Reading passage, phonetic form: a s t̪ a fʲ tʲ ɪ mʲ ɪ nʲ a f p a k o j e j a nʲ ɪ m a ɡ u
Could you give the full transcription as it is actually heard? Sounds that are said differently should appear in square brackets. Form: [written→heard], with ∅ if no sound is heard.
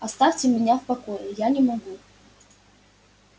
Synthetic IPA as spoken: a s t̪ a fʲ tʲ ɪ mʲ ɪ nʲ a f p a k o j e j a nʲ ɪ m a ɡ u